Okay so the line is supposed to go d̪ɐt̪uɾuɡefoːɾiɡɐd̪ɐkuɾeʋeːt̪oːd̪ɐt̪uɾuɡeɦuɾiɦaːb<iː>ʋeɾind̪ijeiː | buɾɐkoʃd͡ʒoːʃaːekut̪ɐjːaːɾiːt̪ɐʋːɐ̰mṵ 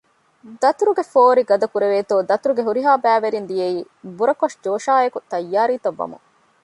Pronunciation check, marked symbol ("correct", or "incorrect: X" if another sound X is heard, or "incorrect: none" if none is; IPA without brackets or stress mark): incorrect: æː